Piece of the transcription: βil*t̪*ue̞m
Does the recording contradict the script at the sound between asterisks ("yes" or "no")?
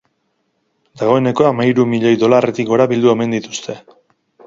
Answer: yes